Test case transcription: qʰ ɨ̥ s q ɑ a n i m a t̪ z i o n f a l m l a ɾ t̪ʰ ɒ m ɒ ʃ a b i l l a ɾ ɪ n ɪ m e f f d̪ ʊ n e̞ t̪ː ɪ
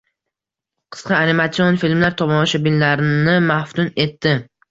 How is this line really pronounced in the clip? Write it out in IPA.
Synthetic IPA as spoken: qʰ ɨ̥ s q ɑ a n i m a t̪ s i o n f i l m l a ɾ t̪ʰ ɒ m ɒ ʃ a b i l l a ɾ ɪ n ɪ m a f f t̪ ʊ n e̞ t̪ː ɪ